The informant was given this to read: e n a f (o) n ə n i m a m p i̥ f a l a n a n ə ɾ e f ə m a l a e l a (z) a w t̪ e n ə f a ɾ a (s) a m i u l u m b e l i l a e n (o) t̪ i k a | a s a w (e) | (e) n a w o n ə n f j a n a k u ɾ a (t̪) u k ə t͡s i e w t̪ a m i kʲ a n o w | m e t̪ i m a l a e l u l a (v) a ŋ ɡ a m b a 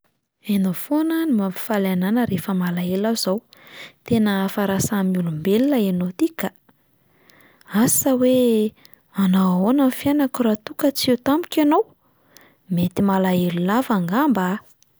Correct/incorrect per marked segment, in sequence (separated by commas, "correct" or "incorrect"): correct, correct, correct, correct, correct, incorrect, correct, correct